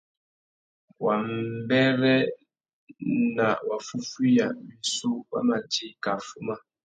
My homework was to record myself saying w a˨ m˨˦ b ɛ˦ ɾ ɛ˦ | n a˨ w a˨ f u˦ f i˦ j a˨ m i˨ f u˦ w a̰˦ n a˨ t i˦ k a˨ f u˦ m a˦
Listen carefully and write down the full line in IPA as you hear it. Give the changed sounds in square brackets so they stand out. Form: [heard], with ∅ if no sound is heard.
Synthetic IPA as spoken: w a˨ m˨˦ b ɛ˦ ɾ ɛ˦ | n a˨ w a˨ f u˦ f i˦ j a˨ m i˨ [s] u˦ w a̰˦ [m] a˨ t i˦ k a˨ f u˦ m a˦